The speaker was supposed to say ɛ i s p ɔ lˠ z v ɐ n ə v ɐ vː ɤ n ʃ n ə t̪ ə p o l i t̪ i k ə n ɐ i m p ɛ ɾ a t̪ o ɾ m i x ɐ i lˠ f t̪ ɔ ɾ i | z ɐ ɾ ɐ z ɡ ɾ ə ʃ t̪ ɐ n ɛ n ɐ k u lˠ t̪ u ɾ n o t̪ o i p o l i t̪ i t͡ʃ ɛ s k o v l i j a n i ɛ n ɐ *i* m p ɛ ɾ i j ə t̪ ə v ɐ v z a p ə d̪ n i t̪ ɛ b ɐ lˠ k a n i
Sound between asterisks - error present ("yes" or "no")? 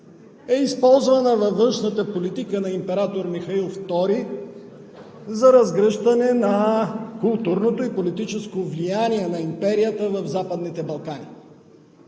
no